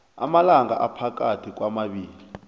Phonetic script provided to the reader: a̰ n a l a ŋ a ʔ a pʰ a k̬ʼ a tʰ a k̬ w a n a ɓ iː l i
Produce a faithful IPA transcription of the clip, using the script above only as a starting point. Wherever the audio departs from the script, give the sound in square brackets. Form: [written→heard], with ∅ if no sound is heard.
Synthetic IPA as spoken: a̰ [n→m] a l a ŋ a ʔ a pʰ a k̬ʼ a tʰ [a→i] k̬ w a [n→m] a ɓ iː l i